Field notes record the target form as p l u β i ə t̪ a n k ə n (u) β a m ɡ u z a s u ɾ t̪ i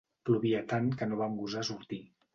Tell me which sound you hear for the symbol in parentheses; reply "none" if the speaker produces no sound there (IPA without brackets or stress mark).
o